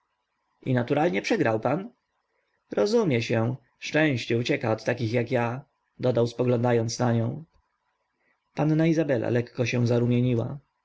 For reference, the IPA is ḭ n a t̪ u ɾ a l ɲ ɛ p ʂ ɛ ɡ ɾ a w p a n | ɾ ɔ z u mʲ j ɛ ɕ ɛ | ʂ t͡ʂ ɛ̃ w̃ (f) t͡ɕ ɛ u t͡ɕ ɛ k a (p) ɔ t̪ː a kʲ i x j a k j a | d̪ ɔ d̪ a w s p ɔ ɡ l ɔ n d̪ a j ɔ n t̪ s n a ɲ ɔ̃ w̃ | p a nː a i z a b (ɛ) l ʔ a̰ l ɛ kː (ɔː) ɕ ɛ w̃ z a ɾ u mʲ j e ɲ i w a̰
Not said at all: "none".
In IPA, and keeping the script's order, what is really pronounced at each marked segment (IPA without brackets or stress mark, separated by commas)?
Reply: ɕ, none, ɛ, ɔ